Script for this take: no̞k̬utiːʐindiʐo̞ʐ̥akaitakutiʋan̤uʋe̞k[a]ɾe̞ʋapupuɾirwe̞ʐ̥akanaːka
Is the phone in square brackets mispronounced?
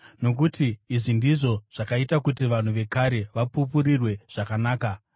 no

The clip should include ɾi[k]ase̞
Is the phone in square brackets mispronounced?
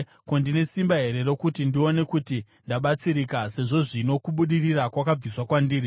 no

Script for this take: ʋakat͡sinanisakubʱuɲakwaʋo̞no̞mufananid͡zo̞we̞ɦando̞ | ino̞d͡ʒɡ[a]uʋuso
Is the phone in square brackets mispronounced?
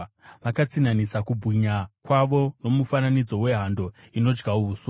no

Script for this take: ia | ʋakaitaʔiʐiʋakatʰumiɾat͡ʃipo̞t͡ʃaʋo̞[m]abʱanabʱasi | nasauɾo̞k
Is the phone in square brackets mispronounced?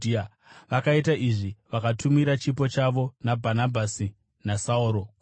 yes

